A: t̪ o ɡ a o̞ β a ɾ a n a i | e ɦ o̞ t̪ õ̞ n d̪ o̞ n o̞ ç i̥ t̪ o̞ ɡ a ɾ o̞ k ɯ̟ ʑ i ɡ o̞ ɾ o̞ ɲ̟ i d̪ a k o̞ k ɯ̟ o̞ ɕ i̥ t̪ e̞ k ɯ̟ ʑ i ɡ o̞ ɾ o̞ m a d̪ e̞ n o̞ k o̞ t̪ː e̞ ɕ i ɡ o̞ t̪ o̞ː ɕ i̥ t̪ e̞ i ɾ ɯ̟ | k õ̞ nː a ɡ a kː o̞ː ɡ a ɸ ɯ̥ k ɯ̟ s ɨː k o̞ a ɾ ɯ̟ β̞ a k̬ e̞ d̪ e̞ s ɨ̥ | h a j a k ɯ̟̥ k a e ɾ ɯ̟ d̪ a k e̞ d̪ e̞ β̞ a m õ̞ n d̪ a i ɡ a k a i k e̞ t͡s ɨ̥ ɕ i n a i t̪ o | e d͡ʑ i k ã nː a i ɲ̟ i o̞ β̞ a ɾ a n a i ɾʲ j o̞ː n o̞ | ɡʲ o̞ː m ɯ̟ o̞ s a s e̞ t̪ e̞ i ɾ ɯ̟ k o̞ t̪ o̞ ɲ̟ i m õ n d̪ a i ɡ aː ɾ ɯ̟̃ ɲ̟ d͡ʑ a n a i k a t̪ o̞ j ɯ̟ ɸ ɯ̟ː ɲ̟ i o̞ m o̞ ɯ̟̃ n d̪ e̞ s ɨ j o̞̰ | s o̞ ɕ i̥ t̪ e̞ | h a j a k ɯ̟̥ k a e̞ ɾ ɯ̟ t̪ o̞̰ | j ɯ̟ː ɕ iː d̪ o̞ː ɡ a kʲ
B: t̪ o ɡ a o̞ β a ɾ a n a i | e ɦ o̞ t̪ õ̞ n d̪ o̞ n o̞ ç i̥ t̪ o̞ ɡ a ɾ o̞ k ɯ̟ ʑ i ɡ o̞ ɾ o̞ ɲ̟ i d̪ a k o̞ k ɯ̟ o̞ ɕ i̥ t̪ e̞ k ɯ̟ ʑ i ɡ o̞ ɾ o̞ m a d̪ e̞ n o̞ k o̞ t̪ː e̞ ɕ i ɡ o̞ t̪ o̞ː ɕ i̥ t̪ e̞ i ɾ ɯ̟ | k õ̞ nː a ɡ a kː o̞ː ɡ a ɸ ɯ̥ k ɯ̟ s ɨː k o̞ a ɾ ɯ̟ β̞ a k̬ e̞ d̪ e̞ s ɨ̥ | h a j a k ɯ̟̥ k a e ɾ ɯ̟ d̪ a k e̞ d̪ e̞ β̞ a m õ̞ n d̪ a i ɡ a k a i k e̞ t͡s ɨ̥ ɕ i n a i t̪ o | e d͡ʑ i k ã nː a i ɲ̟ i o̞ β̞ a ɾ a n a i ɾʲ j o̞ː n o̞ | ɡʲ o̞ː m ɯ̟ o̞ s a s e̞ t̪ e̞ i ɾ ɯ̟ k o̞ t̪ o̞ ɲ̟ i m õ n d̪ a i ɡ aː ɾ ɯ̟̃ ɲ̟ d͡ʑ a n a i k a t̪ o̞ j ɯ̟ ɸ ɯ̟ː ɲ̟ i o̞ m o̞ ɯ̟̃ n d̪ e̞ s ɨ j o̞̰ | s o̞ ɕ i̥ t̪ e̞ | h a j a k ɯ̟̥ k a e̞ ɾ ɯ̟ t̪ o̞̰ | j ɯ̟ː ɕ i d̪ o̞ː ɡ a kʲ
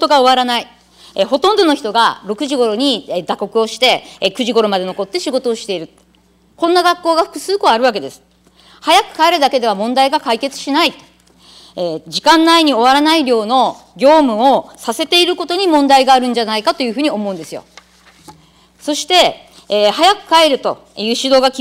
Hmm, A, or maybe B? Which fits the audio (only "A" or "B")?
B